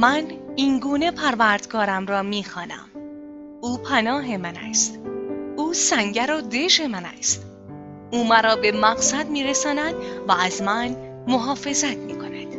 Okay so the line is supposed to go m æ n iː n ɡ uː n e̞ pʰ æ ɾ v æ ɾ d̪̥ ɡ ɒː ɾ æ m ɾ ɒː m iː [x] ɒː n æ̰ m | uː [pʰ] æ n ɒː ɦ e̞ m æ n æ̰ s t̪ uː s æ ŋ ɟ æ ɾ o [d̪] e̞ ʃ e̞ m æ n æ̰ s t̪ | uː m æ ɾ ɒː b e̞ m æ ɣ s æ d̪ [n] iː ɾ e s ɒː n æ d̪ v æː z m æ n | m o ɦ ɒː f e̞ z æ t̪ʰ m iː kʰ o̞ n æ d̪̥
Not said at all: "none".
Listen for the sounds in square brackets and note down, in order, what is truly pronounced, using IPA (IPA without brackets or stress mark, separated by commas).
x, pʰ, d̪, m